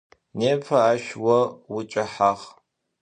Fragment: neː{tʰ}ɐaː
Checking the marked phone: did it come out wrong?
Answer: yes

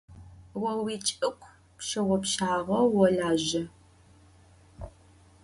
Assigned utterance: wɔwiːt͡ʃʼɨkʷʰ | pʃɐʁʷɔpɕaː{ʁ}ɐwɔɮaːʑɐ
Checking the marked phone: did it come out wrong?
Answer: no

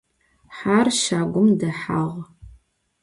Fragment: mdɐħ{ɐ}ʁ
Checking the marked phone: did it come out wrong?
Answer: yes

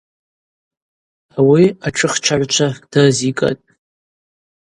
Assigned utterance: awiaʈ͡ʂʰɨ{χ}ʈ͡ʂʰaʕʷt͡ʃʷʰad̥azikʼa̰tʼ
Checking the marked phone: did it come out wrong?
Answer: no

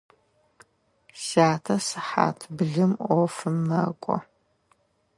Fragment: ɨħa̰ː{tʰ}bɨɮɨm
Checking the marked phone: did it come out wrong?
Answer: no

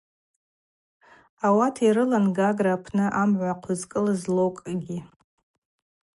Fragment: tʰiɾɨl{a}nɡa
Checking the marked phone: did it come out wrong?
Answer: no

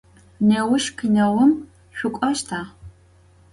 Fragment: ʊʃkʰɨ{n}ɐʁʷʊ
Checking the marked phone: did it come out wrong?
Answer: no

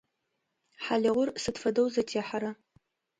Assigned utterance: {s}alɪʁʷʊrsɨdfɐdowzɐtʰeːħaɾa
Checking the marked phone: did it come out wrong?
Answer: yes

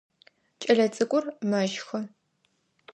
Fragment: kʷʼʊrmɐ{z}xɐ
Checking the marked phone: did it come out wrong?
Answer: yes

